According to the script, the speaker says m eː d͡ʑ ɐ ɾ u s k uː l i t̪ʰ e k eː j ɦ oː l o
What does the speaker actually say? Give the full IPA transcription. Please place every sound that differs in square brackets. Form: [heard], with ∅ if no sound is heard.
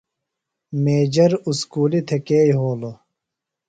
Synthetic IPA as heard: m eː d͡ʑ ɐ ɾ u s k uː l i t̪ʰ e k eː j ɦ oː l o

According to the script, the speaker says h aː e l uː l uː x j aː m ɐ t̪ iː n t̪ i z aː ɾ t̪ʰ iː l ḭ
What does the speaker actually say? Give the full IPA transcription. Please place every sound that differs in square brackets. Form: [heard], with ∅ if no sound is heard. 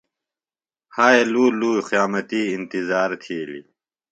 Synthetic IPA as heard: h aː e l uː l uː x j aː m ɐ t̪ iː n t̪ i z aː ɾ t̪ʰ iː l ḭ

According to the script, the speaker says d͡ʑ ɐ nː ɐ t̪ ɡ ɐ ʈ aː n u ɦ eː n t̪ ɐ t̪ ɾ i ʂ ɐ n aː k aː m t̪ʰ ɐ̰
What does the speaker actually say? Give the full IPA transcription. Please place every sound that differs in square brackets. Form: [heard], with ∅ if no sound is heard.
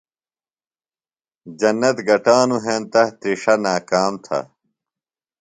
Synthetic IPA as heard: d͡ʑ ɐ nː ɐ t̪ ɡ ɐ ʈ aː n u ɦ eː n t̪ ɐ t̪ ɾ i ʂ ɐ n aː k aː m t̪ʰ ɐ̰

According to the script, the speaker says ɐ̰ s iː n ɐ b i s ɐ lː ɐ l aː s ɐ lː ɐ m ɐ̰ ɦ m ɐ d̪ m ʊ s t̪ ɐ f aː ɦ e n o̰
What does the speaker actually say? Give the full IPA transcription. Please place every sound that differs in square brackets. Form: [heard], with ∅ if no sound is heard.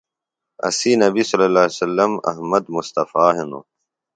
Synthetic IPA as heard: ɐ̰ s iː n ɐ b i s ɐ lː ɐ l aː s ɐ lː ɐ m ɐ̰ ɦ m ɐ d̪ m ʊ s t̪ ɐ f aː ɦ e n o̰

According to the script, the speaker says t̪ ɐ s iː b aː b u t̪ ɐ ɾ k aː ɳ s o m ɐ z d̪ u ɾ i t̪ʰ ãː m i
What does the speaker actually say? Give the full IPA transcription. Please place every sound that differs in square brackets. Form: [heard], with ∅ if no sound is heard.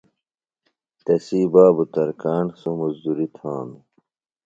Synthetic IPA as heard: t̪ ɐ s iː b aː b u t̪ ɐ ɾ k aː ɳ s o m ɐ z d̪ u ɾ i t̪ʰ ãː m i

